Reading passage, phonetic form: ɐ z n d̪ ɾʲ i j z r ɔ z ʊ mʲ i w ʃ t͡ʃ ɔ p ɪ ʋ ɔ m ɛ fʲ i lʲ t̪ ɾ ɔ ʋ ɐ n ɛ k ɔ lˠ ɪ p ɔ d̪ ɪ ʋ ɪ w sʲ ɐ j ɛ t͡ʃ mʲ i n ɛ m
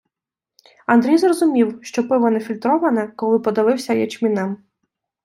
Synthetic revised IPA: ɐ n d̪ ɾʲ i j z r ɔ z ʊ mʲ i w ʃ t͡ʃ ɔ p ɪ ʋ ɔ n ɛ fʲ i lʲ t̪ ɾ ɔ ʋ ɐ n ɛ k ɔ lˠ ɪ p ɔ d̪ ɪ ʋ ɪ w sʲ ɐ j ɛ t͡ʃ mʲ i n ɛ m